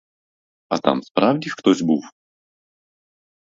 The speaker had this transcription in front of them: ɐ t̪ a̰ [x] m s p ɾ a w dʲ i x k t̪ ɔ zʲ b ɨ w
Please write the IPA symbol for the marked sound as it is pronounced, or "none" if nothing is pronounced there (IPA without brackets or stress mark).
none